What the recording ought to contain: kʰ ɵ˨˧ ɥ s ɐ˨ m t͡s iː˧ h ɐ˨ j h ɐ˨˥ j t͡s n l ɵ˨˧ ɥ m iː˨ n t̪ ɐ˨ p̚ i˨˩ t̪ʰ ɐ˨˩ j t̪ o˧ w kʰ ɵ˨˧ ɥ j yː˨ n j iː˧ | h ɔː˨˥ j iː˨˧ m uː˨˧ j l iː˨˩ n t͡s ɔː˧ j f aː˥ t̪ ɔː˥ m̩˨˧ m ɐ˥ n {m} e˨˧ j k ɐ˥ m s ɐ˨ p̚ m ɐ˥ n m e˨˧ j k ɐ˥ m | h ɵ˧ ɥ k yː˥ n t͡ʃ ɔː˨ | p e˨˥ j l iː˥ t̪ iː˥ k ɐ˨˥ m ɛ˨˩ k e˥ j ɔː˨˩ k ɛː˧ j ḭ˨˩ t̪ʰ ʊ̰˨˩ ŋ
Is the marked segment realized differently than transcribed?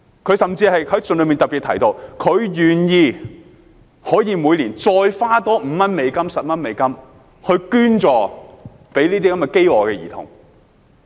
no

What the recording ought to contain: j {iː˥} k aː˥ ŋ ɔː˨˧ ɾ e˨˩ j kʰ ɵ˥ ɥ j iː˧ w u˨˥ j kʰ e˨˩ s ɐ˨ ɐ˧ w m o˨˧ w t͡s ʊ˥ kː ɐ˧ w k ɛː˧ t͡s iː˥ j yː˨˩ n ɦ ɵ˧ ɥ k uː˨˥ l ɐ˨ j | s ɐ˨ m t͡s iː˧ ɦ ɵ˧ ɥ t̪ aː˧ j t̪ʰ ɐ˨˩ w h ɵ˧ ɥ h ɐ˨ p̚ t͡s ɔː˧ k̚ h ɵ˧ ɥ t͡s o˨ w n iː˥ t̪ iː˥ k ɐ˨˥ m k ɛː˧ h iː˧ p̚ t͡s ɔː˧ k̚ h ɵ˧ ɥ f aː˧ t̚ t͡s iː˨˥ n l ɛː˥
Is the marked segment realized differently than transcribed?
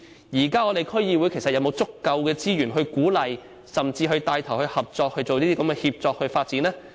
yes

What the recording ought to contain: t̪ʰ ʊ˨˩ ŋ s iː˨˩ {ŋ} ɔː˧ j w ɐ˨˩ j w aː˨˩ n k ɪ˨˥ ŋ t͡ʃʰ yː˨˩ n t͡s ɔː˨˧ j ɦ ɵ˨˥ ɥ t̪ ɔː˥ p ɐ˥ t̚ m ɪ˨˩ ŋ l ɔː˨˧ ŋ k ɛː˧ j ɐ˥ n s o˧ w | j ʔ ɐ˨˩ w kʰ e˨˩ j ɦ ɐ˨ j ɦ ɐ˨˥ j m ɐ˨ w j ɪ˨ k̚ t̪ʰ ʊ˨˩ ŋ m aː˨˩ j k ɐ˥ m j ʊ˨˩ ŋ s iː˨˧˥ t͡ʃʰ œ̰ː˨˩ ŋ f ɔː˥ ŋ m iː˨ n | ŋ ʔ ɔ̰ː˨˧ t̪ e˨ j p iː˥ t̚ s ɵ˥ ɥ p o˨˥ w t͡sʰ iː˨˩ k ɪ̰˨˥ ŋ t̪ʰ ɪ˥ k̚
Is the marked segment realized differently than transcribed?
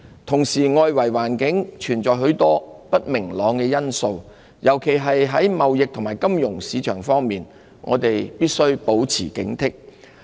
no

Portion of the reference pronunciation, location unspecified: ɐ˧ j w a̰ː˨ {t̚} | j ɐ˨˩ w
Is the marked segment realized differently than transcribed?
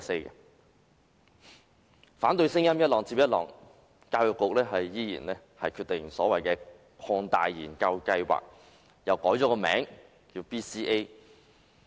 yes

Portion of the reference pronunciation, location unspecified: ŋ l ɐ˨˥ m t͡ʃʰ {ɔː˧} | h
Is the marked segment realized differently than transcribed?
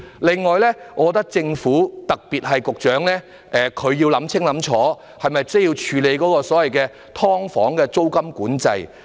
yes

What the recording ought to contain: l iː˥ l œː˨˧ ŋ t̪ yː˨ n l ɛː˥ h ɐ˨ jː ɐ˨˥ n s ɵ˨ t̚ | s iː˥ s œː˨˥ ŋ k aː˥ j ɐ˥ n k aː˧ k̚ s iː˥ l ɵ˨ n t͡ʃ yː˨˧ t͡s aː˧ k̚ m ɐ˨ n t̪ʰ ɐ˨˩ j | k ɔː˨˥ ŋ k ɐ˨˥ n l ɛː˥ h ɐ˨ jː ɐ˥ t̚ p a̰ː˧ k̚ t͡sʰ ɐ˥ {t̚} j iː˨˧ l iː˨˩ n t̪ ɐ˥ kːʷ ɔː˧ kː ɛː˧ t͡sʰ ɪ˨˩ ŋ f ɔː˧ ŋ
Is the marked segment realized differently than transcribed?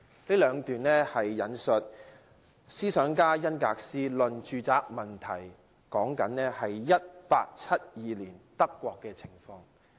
no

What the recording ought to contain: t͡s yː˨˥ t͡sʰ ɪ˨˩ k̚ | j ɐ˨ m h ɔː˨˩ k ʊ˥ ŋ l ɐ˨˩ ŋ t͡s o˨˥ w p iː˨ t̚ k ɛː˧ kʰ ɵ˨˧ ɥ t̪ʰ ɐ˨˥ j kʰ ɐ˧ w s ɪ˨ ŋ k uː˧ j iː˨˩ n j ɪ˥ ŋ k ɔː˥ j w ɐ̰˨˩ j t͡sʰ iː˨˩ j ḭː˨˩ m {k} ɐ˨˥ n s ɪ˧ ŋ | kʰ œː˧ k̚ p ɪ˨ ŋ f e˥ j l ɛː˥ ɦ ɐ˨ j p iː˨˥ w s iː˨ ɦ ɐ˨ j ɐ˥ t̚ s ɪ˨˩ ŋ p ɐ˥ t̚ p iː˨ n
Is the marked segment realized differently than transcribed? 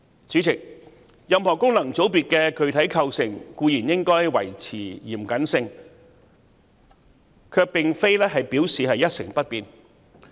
no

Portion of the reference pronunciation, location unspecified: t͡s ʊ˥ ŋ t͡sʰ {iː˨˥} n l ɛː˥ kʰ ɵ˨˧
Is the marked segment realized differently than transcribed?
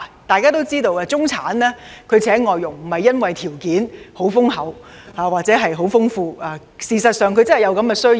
yes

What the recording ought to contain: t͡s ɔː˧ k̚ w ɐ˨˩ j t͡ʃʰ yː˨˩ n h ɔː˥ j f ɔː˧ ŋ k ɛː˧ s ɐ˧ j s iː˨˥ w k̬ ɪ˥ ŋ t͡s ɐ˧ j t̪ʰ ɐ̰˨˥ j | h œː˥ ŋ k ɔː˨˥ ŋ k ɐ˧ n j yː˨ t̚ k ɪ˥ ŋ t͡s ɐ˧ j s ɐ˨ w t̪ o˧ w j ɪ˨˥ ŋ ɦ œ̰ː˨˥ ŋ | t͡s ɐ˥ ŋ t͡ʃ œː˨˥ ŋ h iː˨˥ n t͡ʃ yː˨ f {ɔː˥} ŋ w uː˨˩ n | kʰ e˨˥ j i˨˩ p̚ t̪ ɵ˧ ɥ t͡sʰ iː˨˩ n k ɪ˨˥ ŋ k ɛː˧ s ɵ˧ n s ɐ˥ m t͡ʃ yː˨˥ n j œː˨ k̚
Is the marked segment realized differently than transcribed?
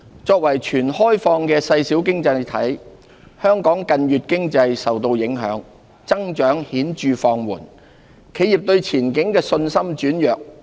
yes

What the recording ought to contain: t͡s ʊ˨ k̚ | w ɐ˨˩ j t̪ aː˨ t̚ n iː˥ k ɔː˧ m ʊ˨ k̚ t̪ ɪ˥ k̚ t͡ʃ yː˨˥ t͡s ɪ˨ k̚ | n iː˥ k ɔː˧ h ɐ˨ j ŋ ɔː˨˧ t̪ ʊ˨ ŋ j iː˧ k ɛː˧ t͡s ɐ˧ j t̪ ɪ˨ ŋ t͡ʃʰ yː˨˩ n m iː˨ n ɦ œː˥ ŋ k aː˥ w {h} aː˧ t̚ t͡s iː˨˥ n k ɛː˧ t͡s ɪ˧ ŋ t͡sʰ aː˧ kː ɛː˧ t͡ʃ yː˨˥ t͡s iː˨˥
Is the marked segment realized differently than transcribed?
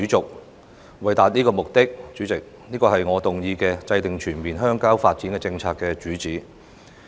yes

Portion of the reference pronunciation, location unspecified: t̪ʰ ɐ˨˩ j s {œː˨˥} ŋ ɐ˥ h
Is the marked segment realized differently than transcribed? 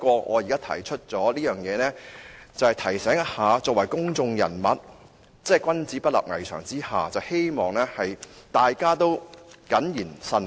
yes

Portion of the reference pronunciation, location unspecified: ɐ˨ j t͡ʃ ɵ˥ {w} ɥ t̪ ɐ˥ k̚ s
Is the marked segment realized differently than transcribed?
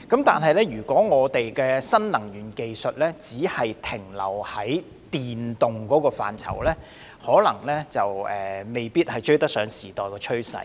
yes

